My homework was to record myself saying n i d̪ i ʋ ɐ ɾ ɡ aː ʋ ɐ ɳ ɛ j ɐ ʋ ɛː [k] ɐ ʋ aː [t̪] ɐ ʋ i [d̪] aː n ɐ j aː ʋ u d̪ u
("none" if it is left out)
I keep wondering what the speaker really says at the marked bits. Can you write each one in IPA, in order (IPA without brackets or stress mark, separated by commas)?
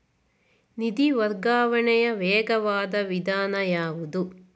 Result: ɡ, d̪, d̪